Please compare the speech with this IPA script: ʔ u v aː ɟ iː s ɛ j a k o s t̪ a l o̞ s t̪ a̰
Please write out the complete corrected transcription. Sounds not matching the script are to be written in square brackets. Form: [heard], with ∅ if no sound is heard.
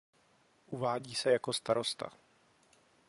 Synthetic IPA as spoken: ʔ u v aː ɟ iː s ɛ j a k o s t̪ a [ɾ] o̞ s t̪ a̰